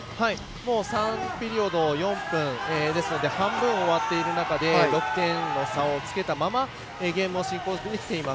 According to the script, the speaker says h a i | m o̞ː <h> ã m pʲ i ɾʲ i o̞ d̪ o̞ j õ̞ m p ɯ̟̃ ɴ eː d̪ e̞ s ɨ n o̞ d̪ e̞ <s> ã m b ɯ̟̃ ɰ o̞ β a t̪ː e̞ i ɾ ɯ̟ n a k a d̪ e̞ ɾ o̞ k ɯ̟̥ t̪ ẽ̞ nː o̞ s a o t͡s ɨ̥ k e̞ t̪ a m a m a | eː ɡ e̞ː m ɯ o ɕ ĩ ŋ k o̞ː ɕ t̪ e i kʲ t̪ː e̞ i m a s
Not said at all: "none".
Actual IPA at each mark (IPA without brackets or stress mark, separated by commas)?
s, h